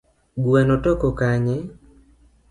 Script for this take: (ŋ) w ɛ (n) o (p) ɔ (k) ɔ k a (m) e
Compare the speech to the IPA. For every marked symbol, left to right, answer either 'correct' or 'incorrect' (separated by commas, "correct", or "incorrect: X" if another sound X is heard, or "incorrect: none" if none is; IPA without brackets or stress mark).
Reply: incorrect: ɡ, correct, incorrect: t, correct, incorrect: ɲ